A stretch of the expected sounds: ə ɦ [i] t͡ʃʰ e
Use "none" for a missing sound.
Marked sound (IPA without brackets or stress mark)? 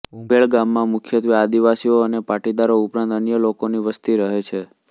e